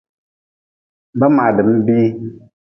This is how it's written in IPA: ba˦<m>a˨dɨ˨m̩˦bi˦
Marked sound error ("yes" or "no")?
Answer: no